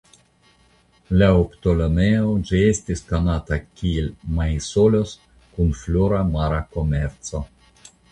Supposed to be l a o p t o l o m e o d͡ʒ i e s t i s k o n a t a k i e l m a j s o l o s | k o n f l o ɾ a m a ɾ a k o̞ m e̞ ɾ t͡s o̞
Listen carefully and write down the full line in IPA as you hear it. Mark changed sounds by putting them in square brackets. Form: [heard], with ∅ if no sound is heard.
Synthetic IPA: l a o p t o l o m e o d͡ʒ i e s t i s k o n a t a k i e l m a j s o l o s | k [u] n f l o ɾ a m a ɾ a k o̞ m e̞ ɾ t͡s o̞